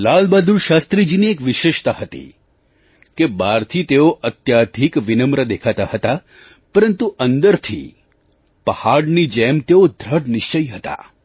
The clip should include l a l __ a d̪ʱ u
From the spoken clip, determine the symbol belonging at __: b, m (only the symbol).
b